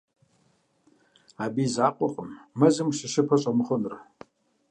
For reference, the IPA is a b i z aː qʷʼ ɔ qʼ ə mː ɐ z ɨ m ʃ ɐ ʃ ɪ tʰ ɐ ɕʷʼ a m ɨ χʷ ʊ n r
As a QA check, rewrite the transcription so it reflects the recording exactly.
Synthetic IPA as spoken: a b i z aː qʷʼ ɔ qʼ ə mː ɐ z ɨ m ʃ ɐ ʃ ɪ pʰ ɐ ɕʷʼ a m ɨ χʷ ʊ n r